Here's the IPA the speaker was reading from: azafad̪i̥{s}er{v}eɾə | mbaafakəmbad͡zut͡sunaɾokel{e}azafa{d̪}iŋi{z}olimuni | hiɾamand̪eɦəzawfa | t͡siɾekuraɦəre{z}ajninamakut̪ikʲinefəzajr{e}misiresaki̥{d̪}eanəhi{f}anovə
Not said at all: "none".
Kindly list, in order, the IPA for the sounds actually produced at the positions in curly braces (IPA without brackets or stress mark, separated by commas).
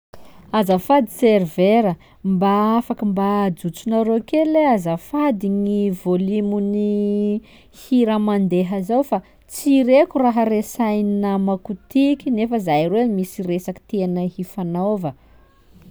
s, v, e, d̪, v, s, e, t̪, f